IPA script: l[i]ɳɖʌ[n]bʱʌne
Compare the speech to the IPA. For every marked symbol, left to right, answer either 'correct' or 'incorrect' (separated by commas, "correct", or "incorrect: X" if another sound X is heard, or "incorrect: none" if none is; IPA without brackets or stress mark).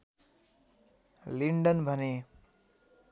correct, correct